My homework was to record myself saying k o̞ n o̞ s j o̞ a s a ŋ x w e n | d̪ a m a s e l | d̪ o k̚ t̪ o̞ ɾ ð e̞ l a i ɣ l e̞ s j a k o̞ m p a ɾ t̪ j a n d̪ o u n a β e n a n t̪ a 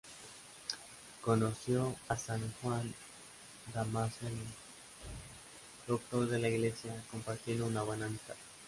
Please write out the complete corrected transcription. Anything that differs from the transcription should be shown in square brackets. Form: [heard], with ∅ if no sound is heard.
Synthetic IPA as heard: k o̞ n o̞ s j o̞ a s a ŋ x w [a] n | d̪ a m a s e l | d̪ o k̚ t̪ o̞ ɾ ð e̞ l a i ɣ l e̞ s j a k o̞ m p a ɾ t̪ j [e] n d̪ o u n a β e n a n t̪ a